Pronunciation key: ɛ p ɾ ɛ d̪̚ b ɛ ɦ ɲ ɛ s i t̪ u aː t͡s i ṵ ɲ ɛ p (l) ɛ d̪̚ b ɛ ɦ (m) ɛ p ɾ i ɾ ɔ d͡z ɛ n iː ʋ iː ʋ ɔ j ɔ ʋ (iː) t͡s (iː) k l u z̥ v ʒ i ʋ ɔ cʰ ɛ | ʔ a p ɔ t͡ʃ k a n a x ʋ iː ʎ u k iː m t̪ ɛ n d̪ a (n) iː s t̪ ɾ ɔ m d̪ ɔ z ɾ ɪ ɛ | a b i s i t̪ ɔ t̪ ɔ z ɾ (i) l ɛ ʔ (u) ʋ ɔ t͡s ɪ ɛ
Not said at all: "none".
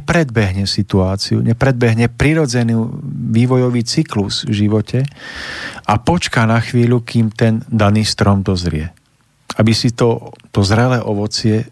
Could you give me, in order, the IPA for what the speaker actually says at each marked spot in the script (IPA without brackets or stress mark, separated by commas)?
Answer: ɾ, ɲ, iː, i, n, ɛ, ɔ